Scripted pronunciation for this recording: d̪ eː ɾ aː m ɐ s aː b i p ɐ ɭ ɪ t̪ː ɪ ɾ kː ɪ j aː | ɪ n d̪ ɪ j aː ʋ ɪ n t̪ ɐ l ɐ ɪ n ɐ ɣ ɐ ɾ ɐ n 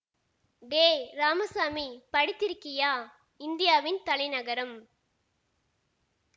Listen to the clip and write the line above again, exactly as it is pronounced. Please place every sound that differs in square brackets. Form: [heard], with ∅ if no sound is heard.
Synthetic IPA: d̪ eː ɾ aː m ɐ s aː [m] i p ɐ [ɽ] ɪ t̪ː ɪ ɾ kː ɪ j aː | ɪ n d̪ ɪ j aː ʋ ɪ n t̪ ɐ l ɐ ɪ n ɐ ɣ ɐ ɾ ɐ [m]